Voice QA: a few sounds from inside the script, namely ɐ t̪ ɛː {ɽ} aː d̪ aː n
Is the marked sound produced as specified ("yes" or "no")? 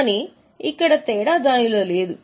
yes